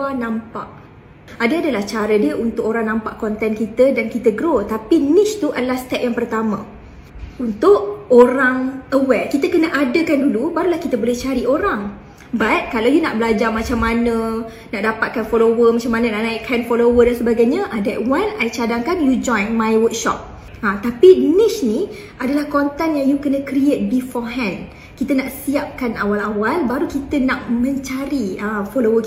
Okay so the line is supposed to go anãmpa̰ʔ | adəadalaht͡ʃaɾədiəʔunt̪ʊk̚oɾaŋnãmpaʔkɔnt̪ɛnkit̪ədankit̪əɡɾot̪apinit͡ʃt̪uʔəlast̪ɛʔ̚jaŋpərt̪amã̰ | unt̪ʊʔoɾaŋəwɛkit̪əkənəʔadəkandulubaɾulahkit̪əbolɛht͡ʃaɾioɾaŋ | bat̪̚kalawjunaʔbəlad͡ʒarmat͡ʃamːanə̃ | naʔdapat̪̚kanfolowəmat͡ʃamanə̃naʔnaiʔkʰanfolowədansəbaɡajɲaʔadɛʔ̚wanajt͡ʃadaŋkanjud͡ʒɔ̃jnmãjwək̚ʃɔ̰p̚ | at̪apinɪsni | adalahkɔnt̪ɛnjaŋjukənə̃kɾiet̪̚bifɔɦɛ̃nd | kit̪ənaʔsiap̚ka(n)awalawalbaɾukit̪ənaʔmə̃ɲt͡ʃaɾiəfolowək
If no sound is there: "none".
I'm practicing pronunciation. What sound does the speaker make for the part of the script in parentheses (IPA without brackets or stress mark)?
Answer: n